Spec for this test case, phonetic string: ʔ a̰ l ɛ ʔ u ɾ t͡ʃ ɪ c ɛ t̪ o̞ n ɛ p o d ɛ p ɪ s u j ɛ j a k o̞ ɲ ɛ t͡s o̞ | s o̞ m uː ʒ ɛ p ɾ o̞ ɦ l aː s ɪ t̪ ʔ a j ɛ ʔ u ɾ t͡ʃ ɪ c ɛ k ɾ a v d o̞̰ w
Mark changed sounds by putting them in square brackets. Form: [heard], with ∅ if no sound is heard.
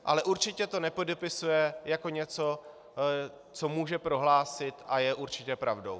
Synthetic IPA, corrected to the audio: ʔ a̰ l ɛ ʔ u ɾ t͡ʃ ɪ c ɛ t̪ o̞ n ɛ p o d ɛ p ɪ s u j ɛ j a k o̞ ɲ ɛ t͡s o̞ | [t͡s] o̞ m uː ʒ ɛ p ɾ o̞ ɦ l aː s ɪ t̪ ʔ a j ɛ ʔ u ɾ t͡ʃ ɪ c ɛ [p] ɾ a v d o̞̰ w